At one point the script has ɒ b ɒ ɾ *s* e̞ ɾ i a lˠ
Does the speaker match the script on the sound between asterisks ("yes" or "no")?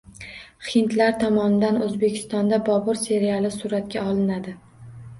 yes